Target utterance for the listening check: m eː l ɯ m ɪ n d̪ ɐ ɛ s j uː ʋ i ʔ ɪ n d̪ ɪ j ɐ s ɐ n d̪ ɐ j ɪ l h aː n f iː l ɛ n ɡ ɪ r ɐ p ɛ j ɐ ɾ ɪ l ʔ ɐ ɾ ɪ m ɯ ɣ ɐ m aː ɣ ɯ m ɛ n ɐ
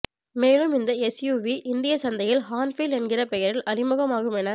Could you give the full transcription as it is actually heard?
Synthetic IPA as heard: m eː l ɯ m ɪ n d̪ ɐ ɛ s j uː ʋ i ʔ ɪ n d̪ ɪ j ɐ s ɐ n d̪ ɐ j ɪ l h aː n f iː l ɛ n ɡ ɪ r ɐ p ɛ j ɐ ɾ ɪ l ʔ ɐ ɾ ɪ m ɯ ɣ ɐ m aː ɣ ɯ m ɛ n ɐ